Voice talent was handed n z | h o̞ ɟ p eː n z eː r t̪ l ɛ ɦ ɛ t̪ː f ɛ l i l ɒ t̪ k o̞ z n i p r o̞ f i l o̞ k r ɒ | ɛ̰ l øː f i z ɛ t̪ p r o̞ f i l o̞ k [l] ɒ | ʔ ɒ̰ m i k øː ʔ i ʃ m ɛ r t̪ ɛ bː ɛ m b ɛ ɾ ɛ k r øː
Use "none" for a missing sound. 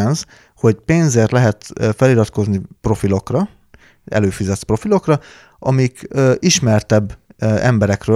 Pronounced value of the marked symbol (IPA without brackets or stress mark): r